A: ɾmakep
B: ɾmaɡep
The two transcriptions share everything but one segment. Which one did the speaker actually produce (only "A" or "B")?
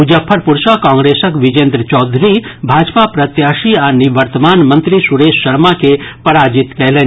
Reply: A